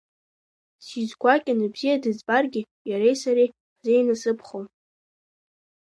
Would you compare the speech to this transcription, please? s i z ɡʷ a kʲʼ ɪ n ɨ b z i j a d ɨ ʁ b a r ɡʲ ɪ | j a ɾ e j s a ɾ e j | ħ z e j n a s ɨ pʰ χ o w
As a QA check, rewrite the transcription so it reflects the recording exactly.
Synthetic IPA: s i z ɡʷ a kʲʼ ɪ n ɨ b z i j a d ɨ z b a r ɡʲ ɪ | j a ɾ e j s a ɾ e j | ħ z e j n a s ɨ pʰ χ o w